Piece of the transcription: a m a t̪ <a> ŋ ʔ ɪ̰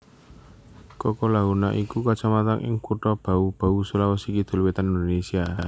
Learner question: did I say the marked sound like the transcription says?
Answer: yes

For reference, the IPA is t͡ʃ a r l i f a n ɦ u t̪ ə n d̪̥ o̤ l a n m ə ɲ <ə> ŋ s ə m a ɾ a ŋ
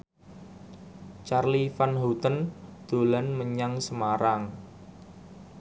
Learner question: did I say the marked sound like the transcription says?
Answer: no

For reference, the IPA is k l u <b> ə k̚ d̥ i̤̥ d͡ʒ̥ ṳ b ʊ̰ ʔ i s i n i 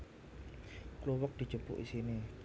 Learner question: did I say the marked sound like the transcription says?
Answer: no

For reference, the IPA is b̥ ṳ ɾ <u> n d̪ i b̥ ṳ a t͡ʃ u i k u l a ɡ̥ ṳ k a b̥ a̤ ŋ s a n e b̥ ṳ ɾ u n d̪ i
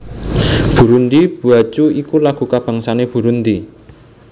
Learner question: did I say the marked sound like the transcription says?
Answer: yes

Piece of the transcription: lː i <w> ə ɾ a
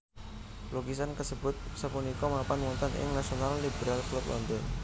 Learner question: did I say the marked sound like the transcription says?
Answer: no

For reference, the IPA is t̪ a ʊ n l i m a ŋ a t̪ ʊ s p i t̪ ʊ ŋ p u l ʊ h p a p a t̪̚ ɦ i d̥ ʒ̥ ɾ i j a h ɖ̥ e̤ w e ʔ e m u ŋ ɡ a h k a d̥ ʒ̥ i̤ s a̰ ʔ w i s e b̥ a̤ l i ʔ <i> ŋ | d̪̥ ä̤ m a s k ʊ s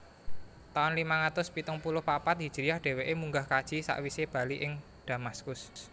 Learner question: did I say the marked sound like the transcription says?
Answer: no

